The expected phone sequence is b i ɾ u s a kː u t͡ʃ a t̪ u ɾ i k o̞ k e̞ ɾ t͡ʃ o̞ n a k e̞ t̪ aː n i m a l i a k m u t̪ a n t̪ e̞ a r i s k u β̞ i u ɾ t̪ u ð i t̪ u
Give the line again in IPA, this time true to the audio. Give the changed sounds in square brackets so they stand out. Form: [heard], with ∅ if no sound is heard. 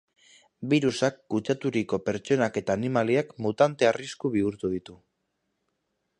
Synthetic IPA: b i ɾ u s a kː u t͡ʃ a t̪ u ɾ i k o̞ [p] e̞ ɾ t͡ʃ o̞ n a k e̞ t̪ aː n i m a l i a k m u t̪ a n t̪ e̞ a r i s k u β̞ i u ɾ t̪ u ð i t̪ u